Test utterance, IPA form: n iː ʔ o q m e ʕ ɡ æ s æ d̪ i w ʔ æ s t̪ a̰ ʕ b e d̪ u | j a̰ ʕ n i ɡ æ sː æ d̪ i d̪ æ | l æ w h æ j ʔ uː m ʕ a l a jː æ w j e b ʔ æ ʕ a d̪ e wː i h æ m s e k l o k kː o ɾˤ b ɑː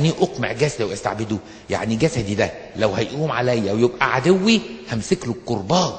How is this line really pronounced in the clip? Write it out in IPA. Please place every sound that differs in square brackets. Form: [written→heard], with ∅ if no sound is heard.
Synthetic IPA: n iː ʔ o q m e ʕ ɡ æ s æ d̪ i w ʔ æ s t̪ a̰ ʕ b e d̪ u | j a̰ ʕ n i ɡ æ [sː→s] æ d̪ i d̪ æ | l æ w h æ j ʔ uː m ʕ a l [a→æ] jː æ w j e b ʔ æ ʕ a d̪ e wː i h æ m s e k l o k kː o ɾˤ b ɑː